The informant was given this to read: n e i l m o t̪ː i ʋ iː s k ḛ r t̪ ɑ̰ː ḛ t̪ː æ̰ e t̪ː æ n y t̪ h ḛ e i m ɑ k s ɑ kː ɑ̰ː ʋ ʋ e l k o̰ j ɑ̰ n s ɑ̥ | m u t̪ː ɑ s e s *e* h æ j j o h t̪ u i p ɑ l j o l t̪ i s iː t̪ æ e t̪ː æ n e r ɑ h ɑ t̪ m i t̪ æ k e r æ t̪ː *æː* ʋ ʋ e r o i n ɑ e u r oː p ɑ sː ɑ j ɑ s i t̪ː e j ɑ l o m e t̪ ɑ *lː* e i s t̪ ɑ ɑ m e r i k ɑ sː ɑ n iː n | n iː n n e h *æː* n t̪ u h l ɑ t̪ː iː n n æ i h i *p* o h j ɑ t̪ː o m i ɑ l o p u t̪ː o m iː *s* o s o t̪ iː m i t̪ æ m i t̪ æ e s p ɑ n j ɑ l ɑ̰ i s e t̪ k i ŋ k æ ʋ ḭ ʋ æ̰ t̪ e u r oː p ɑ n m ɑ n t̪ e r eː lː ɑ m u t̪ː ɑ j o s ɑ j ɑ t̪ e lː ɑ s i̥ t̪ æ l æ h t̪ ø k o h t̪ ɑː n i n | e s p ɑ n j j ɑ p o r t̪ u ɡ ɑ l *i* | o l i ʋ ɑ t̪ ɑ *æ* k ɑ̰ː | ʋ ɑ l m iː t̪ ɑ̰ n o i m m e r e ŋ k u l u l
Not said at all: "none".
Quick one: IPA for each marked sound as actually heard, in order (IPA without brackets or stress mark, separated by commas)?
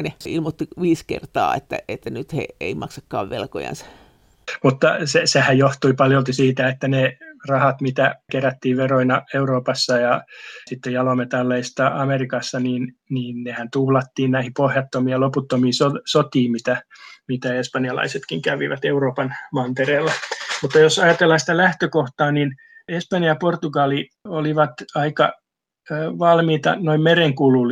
e, iː, lː, æ, p, s, i, i